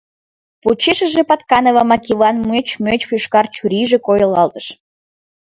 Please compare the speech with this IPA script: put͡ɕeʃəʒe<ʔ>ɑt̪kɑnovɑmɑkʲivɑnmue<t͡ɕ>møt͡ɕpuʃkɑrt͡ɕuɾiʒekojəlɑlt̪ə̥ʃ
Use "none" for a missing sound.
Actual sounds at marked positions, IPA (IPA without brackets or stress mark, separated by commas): p, t͡ɕ